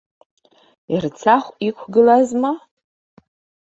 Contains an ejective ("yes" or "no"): no